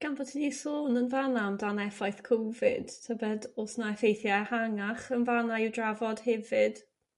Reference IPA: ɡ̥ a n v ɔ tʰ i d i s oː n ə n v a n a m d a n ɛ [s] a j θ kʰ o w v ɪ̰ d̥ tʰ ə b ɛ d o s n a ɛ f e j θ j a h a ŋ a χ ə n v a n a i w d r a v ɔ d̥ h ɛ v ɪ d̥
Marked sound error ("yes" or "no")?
yes